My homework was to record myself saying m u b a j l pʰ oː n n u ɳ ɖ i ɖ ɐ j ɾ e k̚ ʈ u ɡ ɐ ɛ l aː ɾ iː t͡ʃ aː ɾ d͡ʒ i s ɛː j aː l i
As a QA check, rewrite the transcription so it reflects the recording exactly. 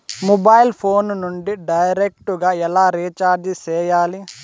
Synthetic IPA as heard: m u b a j l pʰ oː n n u ɳ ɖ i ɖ ɐ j ɾ e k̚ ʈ u ɡ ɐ ɛ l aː ɾ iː t͡ʃ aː ɾ d͡ʒ i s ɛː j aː l i